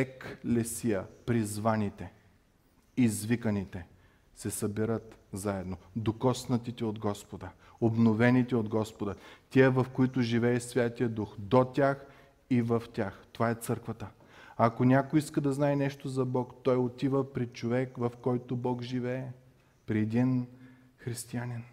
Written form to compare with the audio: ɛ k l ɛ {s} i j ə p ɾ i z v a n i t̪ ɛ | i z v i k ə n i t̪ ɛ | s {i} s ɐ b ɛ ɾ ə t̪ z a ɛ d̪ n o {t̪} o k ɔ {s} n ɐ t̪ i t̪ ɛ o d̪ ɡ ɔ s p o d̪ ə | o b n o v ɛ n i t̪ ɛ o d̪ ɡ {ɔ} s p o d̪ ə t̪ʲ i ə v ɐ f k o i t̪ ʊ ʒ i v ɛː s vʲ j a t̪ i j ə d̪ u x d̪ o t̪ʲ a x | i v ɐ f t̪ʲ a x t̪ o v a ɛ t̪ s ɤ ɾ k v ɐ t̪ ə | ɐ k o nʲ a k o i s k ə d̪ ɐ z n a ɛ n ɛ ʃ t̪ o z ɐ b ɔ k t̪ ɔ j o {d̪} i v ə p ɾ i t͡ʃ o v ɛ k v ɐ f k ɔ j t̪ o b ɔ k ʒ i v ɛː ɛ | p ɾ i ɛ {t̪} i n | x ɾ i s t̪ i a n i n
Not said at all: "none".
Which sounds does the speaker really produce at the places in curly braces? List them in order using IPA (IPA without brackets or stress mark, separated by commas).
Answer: s, ɛ, d̪, s, ɔ, t̪, d̪